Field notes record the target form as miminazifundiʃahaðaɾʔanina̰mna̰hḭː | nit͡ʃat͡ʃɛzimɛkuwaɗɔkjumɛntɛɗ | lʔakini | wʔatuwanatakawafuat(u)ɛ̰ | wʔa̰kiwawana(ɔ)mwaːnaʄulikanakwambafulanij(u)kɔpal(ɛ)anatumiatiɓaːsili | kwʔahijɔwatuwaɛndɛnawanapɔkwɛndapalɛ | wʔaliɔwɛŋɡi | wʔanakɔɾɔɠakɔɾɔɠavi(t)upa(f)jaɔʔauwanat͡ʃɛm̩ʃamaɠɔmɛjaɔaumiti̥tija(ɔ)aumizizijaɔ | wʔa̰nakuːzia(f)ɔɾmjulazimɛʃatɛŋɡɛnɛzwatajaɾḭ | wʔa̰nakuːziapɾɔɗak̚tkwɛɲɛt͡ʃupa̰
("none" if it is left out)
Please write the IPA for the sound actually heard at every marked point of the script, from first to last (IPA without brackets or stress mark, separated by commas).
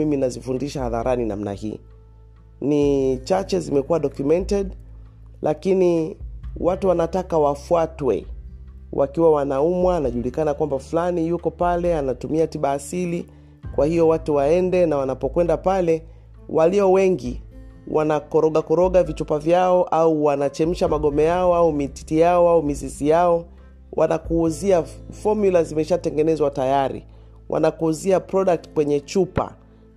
w, u, u, ɛ, t͡ʃ, v, ɔ, f